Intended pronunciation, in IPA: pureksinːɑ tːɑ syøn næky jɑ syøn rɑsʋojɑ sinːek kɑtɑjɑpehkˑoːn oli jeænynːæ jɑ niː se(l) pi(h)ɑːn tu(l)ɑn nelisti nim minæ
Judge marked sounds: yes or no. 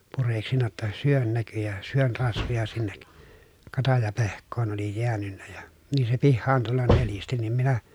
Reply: no, no, no

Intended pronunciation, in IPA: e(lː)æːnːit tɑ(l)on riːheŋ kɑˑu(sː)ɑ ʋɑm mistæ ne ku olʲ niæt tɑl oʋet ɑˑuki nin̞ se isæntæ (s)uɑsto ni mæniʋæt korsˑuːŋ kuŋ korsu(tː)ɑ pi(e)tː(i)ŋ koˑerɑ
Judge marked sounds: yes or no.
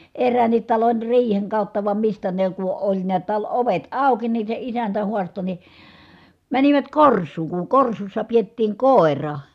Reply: no, yes, no, no, no, yes, no

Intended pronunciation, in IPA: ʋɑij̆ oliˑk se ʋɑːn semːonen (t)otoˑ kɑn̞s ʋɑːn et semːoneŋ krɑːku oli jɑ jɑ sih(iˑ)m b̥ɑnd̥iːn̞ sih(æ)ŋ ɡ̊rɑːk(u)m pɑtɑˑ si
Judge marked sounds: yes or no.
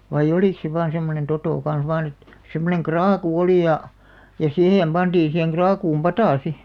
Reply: yes, no, no, no

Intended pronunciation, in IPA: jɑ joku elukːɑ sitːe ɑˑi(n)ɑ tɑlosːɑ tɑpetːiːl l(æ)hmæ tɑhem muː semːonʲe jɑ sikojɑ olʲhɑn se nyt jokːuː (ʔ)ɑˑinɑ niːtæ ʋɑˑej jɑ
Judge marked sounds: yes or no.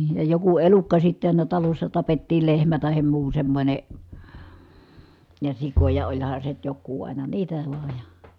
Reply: yes, no, yes

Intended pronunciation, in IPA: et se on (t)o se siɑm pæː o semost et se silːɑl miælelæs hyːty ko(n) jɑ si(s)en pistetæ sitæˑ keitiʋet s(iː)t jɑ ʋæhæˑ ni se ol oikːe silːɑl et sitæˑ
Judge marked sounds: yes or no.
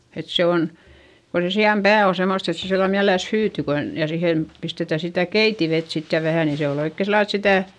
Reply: no, yes, no, no

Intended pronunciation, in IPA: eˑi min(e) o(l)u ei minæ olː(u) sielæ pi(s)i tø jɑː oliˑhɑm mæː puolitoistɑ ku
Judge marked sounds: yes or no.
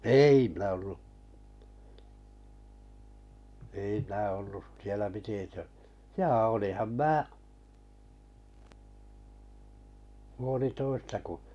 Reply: no, no, yes, no

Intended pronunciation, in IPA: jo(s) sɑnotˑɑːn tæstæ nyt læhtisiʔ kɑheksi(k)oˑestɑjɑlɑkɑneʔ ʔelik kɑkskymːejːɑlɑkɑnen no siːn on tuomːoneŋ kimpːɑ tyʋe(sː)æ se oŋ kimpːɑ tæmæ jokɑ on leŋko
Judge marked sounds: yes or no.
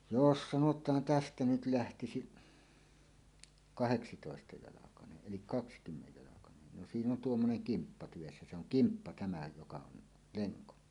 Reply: yes, no, yes

